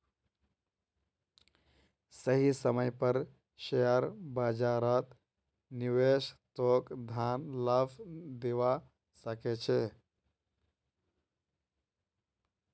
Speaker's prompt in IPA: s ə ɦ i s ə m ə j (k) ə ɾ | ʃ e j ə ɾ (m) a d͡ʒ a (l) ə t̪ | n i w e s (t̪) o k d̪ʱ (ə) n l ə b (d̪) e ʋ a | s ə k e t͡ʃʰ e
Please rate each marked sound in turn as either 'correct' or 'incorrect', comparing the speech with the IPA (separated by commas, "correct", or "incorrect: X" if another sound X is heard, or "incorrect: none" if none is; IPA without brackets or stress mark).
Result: incorrect: p, incorrect: b, incorrect: ɾ, correct, incorrect: a, correct